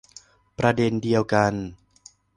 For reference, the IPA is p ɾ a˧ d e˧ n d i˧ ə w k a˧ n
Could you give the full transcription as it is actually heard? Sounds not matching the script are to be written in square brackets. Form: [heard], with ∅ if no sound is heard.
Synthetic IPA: p ɾ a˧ d e˧ n d i˧ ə w k a˧ n

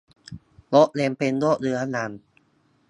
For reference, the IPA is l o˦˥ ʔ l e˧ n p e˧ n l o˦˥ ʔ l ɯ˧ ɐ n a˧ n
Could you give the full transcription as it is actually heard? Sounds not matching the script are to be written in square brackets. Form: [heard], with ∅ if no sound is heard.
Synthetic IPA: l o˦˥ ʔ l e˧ [m] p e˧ n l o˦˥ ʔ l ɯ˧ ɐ n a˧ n

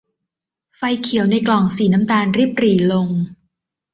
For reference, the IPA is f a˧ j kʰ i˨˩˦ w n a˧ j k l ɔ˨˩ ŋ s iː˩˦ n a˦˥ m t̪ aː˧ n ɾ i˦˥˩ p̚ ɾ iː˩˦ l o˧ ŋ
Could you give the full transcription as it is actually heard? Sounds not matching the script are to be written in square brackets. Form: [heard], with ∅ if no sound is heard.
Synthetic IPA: f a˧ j kʰ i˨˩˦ w n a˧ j k l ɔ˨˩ ŋ s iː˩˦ n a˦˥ m t̪ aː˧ n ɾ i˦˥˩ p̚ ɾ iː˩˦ l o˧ ŋ

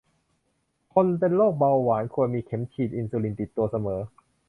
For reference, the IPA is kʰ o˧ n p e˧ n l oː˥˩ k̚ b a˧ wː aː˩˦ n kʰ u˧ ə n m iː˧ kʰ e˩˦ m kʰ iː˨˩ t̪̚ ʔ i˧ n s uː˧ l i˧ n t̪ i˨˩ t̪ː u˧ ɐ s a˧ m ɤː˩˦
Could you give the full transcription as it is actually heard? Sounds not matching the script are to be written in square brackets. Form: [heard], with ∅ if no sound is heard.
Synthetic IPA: kʰ o˧ n p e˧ n l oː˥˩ k̚ b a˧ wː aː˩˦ n kʰ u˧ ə n m iː˧ kʰ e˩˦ m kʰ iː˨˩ t̪̚ ʔ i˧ n s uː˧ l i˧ n t̪ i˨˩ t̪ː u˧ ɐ s a˧ m ɤː˩˦

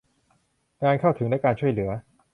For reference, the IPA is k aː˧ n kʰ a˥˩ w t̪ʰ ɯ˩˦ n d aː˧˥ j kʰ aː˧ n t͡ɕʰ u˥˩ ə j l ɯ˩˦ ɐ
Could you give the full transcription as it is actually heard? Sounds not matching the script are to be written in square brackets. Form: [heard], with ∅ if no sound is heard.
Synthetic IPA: k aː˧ n kʰ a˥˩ w t̪ʰ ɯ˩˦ [ŋ] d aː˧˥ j [k] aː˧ n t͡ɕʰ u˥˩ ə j l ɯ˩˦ ɐ

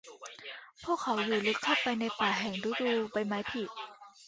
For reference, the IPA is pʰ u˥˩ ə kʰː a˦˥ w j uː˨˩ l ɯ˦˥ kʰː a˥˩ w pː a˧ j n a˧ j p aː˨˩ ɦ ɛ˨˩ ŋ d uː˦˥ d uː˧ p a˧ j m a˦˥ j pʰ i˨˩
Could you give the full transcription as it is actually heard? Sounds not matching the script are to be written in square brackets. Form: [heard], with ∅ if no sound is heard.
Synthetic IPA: pʰ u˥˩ ə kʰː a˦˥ w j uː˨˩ l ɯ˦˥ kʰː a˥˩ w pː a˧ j n a˧ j p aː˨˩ ɦ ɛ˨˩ ŋ d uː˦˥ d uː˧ p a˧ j m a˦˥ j pʰ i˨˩

